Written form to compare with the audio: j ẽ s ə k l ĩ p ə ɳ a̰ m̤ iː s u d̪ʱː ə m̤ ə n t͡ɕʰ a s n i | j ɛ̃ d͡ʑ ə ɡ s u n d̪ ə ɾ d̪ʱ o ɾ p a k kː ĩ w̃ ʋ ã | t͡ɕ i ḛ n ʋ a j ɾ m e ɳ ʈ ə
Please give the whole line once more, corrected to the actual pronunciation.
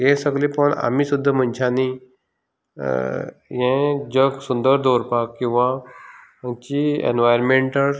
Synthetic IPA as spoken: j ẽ s ə ɡ l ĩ p ə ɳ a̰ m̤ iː s u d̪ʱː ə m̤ ə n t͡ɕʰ a n i | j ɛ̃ d͡ʑ ə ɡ s u n d̪ ə ɾ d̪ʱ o ɾ p a k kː ĩ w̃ ʋ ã | t͡ɕ i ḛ n ʋ a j ɾ m e ɳ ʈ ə